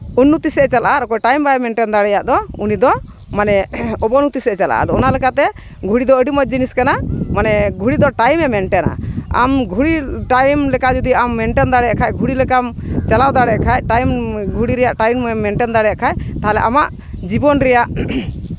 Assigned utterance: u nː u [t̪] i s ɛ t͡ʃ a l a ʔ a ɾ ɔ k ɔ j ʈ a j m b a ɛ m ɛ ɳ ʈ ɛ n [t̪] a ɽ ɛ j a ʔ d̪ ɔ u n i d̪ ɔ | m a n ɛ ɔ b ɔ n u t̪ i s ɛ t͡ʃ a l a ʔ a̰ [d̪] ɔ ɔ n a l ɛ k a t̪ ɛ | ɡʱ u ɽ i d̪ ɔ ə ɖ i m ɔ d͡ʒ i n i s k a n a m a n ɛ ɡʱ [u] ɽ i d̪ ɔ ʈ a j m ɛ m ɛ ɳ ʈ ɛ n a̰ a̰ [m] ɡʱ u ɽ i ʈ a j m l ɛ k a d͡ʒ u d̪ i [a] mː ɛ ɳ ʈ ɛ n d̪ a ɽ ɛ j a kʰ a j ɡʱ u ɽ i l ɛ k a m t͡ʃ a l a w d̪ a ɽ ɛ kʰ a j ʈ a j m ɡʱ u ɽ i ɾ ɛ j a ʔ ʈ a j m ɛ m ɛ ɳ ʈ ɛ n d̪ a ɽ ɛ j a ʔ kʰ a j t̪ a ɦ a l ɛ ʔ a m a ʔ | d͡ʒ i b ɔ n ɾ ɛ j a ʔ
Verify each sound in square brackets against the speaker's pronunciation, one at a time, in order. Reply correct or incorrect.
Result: correct, incorrect, correct, correct, correct, correct

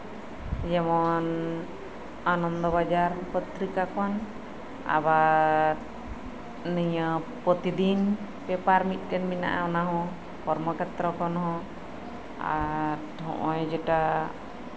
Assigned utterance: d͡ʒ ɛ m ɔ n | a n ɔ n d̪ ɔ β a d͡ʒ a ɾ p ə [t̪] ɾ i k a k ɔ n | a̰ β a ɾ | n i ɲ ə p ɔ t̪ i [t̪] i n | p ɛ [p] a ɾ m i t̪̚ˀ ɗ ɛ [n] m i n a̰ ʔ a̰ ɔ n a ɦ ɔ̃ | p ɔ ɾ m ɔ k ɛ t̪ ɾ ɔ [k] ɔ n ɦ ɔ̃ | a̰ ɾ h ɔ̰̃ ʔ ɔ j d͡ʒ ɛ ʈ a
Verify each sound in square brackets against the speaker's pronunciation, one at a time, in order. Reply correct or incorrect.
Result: correct, incorrect, correct, correct, correct

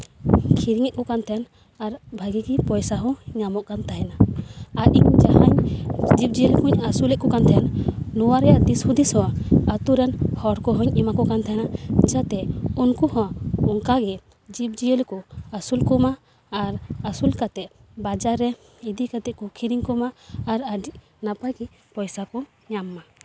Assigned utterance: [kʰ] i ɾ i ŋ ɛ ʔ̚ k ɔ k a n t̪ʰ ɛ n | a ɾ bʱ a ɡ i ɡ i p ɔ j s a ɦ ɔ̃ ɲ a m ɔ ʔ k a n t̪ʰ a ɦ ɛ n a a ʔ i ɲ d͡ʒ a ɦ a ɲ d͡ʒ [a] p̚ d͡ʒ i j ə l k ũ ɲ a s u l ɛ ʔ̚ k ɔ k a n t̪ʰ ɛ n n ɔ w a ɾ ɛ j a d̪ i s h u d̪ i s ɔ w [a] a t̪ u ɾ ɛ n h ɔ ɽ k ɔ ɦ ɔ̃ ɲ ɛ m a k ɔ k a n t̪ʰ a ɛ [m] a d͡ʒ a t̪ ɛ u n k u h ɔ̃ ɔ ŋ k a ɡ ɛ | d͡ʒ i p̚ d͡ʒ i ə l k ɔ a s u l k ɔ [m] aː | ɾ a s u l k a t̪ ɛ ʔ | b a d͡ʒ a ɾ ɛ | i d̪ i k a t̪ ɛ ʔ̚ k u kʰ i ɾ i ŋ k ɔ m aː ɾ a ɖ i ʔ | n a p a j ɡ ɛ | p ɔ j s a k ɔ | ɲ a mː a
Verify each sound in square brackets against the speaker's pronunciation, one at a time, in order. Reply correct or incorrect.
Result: correct, incorrect, correct, incorrect, correct

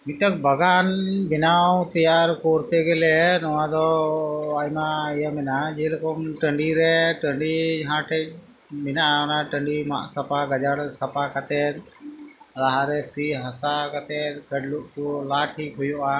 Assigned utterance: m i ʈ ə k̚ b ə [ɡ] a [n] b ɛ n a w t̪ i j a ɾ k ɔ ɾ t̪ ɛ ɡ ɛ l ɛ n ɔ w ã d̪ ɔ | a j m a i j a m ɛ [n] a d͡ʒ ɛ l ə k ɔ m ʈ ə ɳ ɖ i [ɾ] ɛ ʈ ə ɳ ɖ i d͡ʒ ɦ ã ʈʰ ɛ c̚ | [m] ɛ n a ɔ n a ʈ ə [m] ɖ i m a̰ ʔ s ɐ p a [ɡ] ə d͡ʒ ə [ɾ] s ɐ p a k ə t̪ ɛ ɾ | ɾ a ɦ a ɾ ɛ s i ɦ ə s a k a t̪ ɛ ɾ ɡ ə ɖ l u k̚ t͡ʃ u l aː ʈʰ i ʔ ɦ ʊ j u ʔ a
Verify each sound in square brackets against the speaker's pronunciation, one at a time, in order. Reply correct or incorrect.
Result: correct, correct, correct, correct, correct, incorrect, correct, incorrect

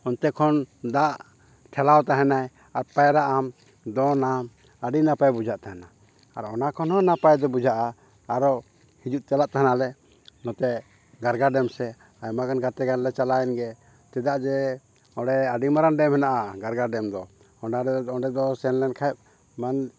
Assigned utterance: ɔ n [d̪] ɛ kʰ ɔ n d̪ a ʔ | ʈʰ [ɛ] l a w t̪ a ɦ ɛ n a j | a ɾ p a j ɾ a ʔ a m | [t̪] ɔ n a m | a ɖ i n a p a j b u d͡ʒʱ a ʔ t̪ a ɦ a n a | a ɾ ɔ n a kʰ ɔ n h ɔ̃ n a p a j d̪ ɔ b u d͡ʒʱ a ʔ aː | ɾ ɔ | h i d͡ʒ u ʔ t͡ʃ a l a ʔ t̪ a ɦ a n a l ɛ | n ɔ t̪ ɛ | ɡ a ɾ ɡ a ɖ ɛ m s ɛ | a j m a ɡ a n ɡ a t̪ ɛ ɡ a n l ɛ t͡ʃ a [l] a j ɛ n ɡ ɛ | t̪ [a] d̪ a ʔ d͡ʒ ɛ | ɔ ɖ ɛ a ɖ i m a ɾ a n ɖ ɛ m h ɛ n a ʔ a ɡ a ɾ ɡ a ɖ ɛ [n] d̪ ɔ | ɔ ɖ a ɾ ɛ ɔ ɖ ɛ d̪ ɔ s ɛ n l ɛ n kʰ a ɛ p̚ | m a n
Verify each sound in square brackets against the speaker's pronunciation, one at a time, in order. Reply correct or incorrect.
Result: incorrect, correct, incorrect, correct, incorrect, incorrect

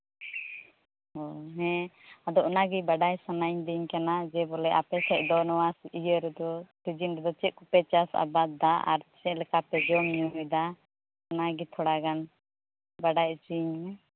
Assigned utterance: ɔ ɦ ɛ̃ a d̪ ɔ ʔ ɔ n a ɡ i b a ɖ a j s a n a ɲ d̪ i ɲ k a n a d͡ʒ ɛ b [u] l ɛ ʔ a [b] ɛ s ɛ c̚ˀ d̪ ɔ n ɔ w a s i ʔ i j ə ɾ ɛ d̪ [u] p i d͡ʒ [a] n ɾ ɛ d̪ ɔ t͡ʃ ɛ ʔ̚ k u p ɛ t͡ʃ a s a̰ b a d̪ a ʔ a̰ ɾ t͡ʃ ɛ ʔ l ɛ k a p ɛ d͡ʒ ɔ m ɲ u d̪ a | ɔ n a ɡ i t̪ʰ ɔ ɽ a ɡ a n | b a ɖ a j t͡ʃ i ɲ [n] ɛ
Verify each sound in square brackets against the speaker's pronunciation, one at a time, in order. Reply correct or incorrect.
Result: incorrect, incorrect, incorrect, incorrect, incorrect

